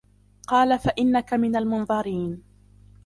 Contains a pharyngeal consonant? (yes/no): no